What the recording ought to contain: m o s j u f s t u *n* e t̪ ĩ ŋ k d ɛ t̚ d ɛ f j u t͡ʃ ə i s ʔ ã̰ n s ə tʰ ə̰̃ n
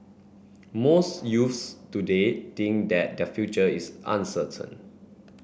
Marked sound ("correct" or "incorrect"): incorrect